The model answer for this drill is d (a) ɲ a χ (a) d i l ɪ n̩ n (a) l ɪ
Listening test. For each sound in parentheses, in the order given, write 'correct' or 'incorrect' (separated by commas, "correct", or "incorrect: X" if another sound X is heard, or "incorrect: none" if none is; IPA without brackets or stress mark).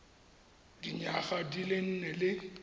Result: incorrect: i, correct, incorrect: ɛ